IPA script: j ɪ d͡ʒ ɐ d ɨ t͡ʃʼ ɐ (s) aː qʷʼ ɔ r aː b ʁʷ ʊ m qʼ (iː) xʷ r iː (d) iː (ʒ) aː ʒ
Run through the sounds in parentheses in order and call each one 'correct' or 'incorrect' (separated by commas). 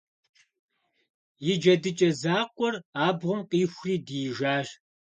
incorrect, correct, correct, correct